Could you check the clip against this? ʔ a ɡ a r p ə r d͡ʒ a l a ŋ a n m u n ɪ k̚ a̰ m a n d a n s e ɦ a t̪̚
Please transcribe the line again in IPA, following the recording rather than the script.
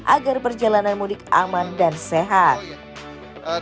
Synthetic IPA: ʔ a ɡ a r p ə r d͡ʒ a l a n a n m u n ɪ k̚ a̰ m a n d a n s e ɦ a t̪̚